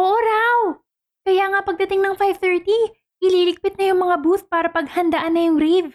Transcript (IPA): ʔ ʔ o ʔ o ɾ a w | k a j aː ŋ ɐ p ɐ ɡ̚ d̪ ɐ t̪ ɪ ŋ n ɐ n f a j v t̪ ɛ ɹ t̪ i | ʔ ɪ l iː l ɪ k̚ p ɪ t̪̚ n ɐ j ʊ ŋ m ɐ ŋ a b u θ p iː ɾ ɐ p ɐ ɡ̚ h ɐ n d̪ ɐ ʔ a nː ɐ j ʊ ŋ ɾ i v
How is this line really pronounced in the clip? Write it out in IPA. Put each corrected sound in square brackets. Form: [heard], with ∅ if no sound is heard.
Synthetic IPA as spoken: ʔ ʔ o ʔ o ɾ a w | k [ɐ] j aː ŋ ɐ p ɐ ɡ̚ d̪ ɐ t̪ ɪ ŋ n ɐ [ŋ] f a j v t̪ ɛ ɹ t̪ i | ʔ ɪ l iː l ɪ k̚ p ɪ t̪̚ n ɐ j ʊ ŋ m ɐ ŋ a b u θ p [aː] ɾ ɐ p ɐ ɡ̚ h ɐ n d̪ ɐ ʔ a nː ɐ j ʊ ŋ ɾ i v